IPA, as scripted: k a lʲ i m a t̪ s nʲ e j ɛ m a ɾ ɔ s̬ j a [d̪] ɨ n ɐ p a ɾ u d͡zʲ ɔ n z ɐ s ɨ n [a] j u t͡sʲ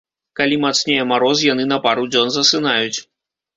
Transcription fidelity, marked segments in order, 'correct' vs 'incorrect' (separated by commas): incorrect, correct